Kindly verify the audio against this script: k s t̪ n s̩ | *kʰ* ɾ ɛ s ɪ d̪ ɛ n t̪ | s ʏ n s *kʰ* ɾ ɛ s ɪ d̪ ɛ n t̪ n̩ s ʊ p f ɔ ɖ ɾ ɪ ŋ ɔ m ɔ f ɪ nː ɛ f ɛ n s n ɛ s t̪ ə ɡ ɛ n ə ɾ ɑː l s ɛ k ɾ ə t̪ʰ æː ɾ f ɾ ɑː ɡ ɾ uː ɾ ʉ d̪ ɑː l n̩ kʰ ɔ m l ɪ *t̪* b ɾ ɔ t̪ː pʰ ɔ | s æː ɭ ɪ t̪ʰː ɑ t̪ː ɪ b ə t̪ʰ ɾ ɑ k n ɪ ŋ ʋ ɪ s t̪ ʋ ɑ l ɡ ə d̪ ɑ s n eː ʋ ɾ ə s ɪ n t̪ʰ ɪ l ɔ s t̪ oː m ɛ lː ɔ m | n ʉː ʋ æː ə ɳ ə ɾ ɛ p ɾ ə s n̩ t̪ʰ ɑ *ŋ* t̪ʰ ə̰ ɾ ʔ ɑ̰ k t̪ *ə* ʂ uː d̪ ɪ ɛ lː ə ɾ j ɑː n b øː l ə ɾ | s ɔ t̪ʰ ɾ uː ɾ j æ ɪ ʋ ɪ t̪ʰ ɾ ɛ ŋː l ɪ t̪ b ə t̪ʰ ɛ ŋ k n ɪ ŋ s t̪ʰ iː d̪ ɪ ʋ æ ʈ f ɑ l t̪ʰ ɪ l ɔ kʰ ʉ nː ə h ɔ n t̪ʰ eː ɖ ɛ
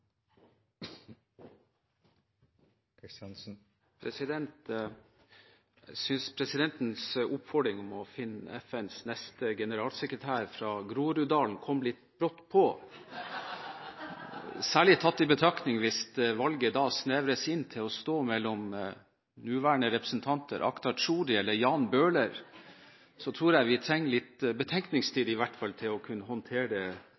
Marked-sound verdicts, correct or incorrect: incorrect, incorrect, correct, incorrect, incorrect

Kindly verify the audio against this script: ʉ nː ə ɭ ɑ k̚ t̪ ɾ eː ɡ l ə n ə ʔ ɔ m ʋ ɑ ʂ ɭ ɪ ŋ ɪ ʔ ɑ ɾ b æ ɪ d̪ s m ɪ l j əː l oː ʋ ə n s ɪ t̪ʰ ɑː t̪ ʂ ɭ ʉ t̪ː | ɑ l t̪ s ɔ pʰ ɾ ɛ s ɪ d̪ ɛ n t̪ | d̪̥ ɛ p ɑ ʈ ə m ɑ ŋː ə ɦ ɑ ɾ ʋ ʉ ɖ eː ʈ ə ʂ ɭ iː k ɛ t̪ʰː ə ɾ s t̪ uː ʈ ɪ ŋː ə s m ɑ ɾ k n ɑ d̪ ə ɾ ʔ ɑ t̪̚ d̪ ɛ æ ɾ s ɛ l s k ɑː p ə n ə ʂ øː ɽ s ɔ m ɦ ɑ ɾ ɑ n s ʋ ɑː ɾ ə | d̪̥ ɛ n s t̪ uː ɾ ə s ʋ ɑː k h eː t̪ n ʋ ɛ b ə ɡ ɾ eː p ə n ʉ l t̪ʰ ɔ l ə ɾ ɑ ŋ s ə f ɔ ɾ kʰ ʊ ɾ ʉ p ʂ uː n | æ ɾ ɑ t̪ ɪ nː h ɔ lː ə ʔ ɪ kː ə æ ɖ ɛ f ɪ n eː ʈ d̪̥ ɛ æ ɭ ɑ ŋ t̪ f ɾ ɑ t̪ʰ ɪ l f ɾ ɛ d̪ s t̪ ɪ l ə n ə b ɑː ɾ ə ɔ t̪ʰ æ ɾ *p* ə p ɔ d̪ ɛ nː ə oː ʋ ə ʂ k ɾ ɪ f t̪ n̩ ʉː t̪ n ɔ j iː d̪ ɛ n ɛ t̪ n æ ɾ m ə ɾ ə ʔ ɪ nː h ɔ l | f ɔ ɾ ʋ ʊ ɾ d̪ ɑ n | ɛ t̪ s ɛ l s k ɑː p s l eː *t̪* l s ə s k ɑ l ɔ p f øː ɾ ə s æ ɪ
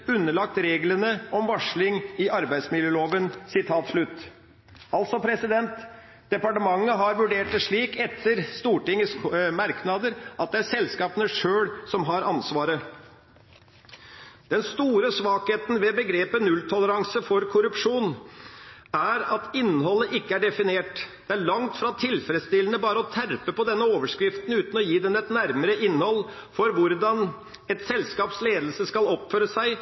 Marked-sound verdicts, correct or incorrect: correct, incorrect

